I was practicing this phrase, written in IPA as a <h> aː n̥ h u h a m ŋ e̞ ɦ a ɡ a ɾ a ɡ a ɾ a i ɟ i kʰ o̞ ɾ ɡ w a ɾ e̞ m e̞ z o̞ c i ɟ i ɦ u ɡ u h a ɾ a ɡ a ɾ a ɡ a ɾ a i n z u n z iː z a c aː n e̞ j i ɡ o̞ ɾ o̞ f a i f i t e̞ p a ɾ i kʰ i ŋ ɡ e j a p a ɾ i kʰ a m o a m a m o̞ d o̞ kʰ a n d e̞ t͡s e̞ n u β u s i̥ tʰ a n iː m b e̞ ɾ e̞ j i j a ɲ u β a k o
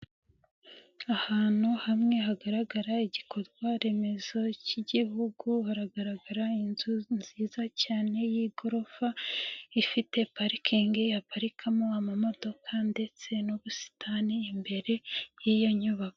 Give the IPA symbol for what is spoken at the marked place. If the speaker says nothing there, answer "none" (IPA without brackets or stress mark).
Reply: h